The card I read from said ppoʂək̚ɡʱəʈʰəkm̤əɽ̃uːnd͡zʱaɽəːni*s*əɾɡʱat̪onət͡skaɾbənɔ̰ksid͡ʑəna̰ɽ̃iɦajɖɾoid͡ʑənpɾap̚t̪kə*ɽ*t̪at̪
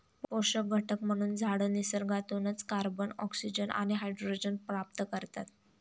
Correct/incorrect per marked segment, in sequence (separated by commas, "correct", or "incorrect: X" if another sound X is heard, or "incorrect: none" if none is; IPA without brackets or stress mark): correct, incorrect: ɾ